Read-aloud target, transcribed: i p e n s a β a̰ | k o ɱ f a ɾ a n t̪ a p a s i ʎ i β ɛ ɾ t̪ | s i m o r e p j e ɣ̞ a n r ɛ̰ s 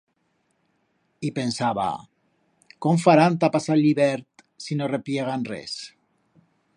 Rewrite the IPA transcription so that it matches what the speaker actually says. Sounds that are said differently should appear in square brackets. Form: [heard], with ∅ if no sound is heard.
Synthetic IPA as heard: i p e n s a β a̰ | k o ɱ f a ɾ a n t̪ a p a s [a] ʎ i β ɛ ɾ t̪ | s i [n] o r e p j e ɣ̞ a n r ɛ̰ s